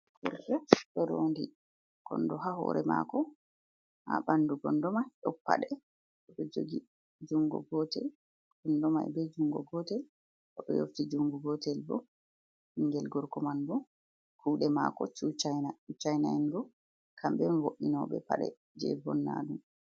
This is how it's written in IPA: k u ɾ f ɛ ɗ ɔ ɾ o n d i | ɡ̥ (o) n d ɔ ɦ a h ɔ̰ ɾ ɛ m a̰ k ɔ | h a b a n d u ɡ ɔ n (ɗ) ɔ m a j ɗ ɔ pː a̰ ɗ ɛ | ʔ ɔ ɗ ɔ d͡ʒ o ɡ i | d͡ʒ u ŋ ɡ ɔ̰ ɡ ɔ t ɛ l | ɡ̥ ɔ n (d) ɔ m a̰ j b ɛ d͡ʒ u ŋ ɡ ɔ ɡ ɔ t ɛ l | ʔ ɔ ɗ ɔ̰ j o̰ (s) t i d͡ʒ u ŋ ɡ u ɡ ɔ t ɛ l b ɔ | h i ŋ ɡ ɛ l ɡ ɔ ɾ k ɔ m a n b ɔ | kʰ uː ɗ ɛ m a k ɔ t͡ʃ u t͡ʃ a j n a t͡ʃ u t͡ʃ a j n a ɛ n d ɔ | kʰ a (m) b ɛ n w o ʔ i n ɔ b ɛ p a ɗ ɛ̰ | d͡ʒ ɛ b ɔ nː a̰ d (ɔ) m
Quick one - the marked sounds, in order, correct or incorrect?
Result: incorrect, incorrect, correct, incorrect, correct, incorrect

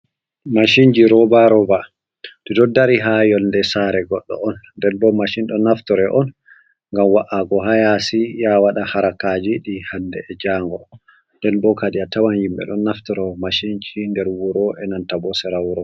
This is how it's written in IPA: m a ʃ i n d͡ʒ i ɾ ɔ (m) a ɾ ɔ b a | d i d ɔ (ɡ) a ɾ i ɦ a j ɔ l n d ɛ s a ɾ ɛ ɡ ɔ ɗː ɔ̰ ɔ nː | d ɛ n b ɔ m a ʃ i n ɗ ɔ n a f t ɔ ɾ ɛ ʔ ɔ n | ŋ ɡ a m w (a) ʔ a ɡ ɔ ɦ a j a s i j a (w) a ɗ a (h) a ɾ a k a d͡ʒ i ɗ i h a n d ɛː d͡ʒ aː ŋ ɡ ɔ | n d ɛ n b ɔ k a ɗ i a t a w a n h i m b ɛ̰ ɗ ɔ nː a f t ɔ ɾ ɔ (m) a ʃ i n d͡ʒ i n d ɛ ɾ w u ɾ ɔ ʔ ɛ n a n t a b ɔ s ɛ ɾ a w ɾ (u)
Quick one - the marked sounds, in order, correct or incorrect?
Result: incorrect, incorrect, correct, correct, correct, correct, incorrect

